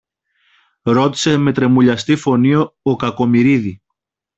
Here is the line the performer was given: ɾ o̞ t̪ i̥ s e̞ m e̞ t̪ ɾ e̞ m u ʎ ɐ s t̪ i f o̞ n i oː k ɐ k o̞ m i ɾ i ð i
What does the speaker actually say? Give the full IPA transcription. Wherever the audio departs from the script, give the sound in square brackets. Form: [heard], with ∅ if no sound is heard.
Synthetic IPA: ɾ o̞ t̪ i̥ s e̞ m e̞ t̪ ɾ e̞ m u ʎ ɐ s t̪ i f o̞ n i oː k ɐ k o̞ m i ɾ i ð i